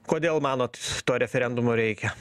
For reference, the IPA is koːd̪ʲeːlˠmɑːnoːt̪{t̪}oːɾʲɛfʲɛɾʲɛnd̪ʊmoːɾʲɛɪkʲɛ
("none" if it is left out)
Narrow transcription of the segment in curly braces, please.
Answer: t̪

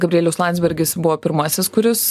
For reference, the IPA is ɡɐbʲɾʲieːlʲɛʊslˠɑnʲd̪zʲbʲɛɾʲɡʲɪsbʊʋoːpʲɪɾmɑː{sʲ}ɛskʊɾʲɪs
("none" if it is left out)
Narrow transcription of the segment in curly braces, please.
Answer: sʲ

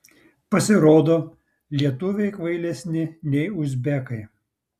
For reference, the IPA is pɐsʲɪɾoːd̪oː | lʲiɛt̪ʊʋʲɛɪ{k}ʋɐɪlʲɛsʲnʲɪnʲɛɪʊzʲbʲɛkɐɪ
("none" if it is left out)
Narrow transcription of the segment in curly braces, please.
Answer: k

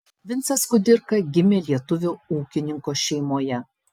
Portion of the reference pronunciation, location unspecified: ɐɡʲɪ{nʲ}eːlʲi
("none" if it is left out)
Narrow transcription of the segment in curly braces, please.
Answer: mʲ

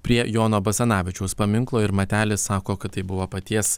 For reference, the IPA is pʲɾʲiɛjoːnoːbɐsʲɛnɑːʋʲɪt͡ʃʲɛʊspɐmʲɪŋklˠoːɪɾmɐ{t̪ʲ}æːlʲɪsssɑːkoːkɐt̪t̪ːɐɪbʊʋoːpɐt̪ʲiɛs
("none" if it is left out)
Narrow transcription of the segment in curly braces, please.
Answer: t̪ʲ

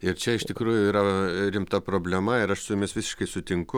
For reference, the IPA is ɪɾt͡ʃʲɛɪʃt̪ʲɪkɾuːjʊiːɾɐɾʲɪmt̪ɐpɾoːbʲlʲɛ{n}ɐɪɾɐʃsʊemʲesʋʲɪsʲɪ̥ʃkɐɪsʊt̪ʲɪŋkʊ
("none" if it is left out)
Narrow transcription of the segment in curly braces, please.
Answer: m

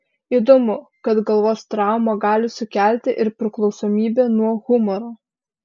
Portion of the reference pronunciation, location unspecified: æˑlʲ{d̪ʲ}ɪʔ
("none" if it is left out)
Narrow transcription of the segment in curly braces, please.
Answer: t̪ʲ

